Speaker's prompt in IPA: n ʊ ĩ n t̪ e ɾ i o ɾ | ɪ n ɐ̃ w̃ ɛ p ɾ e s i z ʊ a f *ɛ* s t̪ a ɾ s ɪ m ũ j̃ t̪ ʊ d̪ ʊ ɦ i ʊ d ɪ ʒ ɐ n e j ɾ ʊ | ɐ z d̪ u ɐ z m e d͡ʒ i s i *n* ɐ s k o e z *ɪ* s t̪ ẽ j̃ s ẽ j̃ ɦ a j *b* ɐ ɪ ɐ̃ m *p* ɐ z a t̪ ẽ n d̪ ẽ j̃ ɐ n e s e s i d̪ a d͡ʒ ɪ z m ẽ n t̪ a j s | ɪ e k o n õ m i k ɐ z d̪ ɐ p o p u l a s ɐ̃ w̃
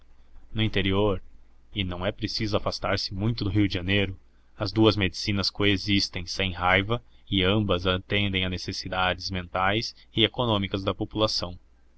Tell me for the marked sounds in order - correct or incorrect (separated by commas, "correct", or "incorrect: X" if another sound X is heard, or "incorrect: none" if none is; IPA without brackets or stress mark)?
incorrect: a, correct, incorrect: i, incorrect: v, incorrect: b